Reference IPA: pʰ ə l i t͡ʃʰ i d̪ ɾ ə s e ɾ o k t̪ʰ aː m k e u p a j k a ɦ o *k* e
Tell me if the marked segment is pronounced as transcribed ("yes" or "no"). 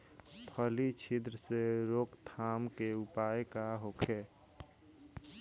no